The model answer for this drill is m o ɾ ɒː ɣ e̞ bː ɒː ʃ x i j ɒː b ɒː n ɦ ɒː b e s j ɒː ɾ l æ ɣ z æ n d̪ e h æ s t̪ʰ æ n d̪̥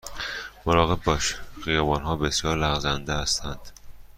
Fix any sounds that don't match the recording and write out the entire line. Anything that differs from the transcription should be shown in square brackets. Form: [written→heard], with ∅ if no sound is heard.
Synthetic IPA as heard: m o ɾ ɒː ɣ e̞ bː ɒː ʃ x i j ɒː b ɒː n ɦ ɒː b e s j ɒː ɾ l æ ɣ z æ n d̪ e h æ s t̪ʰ æ n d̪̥